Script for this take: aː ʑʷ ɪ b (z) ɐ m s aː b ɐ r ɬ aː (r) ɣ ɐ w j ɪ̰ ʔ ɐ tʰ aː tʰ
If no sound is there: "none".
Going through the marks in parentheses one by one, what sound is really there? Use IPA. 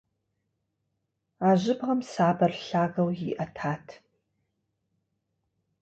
ʁ, none

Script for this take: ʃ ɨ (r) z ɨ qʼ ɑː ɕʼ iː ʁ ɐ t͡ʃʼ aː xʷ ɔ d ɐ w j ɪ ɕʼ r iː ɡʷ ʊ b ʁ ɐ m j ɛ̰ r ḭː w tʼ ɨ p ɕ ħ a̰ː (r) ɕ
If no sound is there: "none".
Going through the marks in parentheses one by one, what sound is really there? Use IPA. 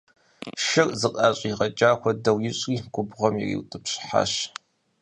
r, none

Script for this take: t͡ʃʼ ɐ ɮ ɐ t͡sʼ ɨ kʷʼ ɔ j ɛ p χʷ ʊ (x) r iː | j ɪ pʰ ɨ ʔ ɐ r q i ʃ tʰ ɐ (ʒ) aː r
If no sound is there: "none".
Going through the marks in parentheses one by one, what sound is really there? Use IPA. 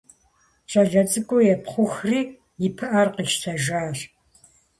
x, ʒ

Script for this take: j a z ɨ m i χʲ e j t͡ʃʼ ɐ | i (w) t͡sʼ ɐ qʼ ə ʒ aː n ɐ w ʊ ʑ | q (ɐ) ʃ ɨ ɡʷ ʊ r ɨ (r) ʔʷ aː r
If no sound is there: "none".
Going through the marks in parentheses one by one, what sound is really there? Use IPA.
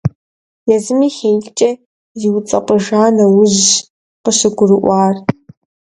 w, ə, none

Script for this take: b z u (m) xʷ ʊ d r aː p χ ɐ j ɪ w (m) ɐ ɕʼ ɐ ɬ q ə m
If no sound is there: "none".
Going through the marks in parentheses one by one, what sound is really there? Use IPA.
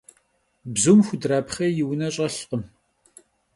m, n

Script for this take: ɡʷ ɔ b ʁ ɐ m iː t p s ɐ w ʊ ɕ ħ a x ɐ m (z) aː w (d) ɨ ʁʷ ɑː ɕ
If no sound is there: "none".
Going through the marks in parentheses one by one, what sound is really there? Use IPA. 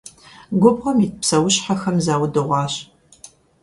z, d

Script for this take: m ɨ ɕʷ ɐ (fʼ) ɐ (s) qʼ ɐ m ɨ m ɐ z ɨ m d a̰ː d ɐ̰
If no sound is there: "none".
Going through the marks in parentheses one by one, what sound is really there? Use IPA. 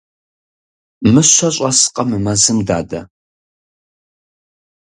ɕʼ, s

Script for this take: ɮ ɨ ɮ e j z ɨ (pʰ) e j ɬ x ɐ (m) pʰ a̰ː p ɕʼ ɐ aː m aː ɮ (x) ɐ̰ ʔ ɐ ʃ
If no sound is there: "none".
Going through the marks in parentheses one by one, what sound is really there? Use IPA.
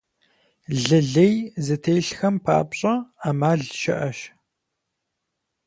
tʰ, m, ʃ

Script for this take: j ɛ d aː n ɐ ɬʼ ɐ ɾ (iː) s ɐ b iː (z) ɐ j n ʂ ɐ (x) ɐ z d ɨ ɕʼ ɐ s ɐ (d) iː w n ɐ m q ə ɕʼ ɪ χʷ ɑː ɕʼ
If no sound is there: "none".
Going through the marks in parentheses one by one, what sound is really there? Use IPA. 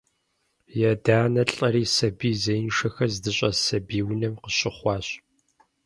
iː, z, x, b

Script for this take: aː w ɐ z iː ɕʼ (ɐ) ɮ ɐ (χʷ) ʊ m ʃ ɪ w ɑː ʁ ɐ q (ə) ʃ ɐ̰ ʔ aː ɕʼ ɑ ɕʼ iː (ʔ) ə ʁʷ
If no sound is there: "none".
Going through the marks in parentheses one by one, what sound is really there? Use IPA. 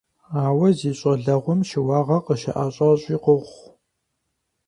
ɐ, ʁʷ, ə, q

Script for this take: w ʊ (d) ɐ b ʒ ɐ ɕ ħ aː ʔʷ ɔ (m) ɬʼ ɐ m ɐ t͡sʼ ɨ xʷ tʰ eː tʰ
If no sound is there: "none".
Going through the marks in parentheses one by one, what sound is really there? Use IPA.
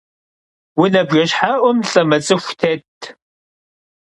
n, m

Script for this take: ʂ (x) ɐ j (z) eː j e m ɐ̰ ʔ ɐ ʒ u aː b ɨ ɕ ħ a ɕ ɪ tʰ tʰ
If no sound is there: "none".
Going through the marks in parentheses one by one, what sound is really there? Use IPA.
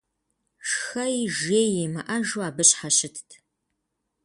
x, ʒ

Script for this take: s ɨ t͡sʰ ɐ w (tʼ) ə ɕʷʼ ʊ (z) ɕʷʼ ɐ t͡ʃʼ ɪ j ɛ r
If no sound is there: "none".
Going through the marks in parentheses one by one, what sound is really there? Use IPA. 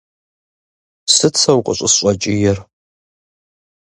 qʼ, s

